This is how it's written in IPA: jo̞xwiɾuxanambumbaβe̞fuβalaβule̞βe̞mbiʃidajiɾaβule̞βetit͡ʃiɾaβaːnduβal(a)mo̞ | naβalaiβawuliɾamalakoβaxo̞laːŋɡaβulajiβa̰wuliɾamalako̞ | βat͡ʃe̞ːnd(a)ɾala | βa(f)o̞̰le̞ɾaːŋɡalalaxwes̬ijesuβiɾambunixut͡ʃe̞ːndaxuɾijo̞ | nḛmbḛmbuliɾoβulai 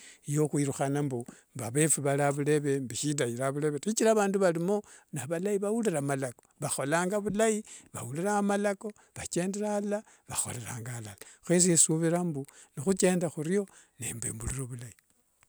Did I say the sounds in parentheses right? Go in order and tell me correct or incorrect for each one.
incorrect: i, incorrect: e, incorrect: x

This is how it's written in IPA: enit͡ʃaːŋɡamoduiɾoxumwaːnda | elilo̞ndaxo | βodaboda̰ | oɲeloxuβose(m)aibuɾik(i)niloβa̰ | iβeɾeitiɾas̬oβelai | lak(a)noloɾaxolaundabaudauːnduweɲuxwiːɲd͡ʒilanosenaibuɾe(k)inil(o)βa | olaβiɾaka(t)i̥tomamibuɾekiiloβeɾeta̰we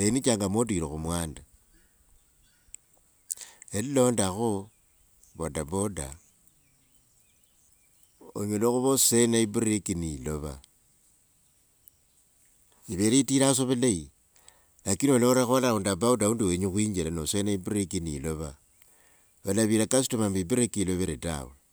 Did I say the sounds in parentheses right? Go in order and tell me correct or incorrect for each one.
incorrect: n, correct, incorrect: i, correct, correct, incorrect: s

